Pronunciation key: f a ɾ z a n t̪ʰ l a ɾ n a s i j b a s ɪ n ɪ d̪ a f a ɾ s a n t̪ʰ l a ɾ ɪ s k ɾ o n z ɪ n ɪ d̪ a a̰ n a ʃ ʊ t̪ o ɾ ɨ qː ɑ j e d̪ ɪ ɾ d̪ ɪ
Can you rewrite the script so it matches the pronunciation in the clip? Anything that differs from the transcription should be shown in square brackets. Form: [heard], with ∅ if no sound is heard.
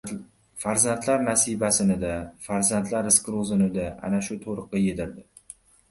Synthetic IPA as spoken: f a ɾ z a n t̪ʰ l a ɾ n a s i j b a s ɪ n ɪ d̪ a f a ɾ [z] a n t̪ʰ l a ɾ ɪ s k ɾ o [∅] z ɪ n ɪ d̪ a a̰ n a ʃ ʊ [t̪ʰ] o ɾ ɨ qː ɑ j e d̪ ɪ ɾ d̪ ɪ